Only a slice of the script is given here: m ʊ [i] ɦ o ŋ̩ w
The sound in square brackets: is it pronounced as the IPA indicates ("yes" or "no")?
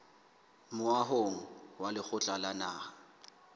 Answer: no